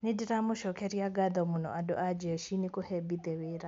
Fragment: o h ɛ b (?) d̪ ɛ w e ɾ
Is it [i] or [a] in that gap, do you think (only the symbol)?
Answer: i